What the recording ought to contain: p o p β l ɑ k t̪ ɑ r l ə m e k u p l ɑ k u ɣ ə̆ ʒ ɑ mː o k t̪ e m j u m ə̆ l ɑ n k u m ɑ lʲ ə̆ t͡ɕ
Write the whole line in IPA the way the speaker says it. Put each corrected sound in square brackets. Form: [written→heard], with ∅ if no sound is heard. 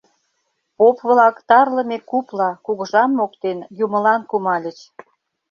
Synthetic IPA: p o p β l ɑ k t̪ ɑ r l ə m e k u p l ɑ k u ɣ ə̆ ʒ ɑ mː o k t̪ e [m→n] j u m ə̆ l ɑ n k u m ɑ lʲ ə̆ t͡ɕ

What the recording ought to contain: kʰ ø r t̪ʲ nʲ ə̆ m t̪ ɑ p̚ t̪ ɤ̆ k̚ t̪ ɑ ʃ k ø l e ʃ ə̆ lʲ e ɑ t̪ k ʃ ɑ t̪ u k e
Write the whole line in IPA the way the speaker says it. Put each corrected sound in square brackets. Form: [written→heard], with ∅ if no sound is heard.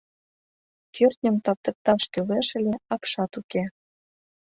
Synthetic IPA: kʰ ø r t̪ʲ nʲ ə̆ m t̪ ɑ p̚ t̪ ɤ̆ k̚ t̪ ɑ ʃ k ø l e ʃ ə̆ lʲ e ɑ [t̪→∅] k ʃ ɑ t̪ u k e

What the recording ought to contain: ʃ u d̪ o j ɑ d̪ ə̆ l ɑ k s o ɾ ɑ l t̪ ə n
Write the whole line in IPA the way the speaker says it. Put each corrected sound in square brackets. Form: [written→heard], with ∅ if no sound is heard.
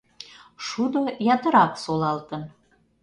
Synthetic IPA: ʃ u d̪ o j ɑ [d̪→t̪] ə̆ [l→ɾ] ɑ k s o [ɾ→l] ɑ l t̪ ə n

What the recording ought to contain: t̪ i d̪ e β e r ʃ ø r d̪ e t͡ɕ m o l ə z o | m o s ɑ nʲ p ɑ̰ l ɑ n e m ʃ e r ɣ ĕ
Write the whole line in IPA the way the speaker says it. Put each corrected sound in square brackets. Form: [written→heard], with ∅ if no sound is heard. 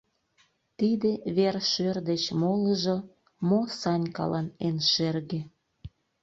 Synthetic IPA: t̪ i d̪ e β e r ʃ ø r d̪ e t͡ɕ m o l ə [z→ʒ] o | m o s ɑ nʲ [p→k] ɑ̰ l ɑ n e [m→n] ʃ e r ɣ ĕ

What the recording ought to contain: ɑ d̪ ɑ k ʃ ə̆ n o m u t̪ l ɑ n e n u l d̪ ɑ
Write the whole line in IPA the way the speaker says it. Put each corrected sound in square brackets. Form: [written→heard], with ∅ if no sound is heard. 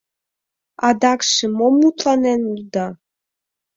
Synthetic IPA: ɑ d̪ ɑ k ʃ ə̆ [n→m] o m u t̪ l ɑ n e n u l d̪ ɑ

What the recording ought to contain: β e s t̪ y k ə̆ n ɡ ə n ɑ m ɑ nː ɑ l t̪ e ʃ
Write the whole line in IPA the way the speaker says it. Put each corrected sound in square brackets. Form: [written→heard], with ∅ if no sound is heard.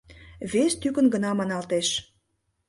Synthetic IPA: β e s t̪ y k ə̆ n ɡ ə n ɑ m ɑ [nː→n] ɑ l t̪ e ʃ

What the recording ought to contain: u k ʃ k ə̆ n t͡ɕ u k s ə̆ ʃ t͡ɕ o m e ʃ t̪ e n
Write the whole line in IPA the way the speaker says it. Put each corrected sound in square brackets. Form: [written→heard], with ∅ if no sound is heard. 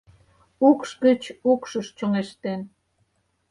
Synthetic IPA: u k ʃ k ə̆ [n→∅] t͡ɕ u k [s→ʃ] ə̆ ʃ t͡ɕ o [m→ŋ] e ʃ t̪ e n

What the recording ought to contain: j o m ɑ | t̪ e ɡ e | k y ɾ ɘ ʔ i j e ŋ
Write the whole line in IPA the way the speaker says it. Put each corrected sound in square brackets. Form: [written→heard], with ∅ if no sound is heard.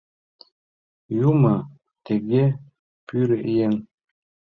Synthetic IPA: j [o→u] m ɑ | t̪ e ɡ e | [k→p] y ɾ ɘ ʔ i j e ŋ

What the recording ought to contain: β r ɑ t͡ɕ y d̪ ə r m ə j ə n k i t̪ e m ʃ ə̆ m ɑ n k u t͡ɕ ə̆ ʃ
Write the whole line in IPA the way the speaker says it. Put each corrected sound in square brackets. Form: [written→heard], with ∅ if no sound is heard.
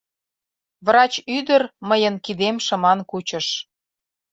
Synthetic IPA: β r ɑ t͡ɕ y d̪ ə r m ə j ə n k i [t̪→d̪] e m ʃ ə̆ m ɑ n k u t͡ɕ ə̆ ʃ

